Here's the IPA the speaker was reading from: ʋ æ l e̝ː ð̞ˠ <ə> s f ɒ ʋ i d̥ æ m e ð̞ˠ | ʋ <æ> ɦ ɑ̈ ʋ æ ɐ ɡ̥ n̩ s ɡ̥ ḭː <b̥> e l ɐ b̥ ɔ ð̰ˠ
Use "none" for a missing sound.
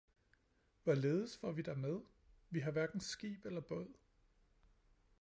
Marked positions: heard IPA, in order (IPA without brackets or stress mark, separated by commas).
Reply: ə, i, b̥